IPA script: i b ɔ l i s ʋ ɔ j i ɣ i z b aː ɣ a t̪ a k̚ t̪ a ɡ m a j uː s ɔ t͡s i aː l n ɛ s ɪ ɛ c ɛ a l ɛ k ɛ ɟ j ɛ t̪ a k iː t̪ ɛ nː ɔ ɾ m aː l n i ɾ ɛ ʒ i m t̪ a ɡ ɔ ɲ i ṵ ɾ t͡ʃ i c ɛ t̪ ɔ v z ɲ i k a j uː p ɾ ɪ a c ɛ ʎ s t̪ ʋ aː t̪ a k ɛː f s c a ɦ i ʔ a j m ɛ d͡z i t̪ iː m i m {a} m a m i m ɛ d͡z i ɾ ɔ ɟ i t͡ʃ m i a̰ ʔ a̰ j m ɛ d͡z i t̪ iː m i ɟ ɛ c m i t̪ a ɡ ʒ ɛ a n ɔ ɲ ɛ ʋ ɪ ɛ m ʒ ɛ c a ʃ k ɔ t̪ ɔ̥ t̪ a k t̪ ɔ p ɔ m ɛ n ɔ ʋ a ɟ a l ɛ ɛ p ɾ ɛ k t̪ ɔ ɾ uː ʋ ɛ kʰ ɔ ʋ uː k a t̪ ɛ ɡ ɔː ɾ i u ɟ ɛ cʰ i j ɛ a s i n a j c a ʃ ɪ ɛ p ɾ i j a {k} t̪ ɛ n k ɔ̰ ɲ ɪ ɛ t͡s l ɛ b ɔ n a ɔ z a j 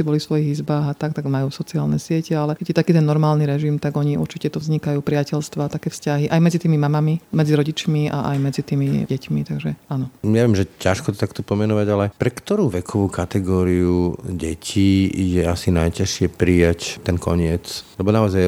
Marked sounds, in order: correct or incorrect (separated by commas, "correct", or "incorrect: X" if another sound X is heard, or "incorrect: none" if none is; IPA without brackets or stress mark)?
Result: correct, incorrect: c